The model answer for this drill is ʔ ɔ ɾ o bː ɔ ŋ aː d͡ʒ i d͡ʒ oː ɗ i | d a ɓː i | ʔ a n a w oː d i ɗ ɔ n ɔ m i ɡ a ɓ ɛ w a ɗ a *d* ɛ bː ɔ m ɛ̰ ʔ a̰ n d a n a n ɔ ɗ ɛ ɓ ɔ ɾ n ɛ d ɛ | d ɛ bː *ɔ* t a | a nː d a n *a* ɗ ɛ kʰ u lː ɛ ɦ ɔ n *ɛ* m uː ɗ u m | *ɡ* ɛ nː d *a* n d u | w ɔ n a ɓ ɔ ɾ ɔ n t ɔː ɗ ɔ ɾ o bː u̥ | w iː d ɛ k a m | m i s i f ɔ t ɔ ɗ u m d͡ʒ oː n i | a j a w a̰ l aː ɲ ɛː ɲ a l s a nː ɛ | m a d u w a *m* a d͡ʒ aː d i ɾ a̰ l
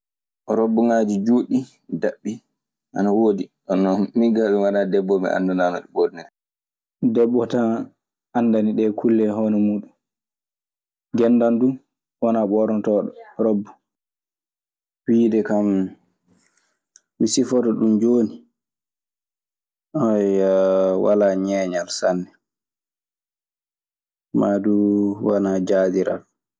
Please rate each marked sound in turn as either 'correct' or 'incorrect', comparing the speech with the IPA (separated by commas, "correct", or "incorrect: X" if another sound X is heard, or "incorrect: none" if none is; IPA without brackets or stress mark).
correct, correct, incorrect: i, correct, correct, correct, incorrect: n